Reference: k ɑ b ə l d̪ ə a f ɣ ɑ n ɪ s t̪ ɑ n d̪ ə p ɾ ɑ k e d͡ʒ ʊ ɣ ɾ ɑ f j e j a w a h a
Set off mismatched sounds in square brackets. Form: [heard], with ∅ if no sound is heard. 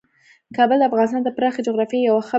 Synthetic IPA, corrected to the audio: k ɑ b ə l d̪ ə a f ɣ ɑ n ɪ s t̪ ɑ n d̪ ə p ɾ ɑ [x] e d͡ʒ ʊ ɣ ɾ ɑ f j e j a w a [x] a